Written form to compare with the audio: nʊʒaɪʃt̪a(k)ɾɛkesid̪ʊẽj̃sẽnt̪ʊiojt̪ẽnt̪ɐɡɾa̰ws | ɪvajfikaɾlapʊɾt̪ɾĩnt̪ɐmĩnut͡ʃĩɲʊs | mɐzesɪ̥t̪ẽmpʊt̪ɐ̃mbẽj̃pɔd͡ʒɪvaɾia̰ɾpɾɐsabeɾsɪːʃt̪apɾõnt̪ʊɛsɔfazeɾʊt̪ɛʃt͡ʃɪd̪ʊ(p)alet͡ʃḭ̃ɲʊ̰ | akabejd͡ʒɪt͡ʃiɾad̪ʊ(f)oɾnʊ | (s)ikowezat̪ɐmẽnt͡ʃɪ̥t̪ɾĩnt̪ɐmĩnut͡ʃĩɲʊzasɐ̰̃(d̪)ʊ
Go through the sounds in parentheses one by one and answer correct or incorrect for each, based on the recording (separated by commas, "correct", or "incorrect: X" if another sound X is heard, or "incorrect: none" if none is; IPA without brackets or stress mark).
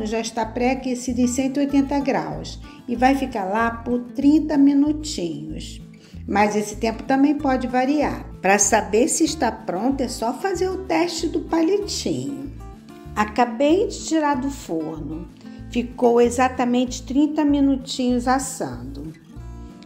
incorrect: p, correct, correct, incorrect: f, correct